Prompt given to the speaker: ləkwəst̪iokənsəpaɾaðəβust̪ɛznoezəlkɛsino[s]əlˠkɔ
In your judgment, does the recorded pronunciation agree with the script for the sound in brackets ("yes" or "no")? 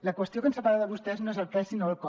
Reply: no